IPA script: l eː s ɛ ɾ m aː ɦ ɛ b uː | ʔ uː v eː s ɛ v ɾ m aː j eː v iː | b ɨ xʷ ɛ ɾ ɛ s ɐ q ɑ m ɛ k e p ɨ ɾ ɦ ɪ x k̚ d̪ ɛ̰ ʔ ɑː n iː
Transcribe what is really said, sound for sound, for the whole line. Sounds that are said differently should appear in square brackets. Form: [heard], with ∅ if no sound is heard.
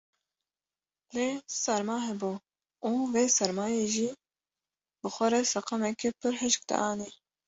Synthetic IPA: l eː s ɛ ɾ m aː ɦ ɛ b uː | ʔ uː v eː s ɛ [∅] ɾ m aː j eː [ʒ] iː | b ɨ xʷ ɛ ɾ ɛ s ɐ q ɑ m ɛ k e p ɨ ɾ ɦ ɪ [ʃ] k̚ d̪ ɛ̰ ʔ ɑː n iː